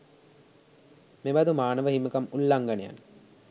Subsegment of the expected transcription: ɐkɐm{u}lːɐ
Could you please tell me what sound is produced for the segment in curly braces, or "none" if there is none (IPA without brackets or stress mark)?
u